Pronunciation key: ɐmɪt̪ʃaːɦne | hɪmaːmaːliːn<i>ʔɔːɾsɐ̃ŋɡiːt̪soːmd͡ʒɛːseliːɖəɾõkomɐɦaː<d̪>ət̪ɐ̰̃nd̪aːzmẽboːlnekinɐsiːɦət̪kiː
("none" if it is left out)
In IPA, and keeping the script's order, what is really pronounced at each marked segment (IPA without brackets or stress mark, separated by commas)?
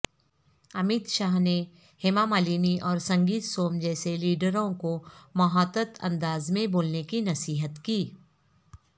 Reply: i, t̪